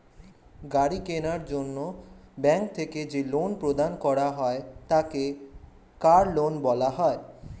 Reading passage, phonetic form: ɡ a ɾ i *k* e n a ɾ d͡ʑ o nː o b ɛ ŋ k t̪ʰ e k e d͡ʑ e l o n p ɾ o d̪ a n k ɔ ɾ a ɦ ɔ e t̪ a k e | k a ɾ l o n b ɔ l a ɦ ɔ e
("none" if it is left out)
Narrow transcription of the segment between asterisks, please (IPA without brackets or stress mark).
k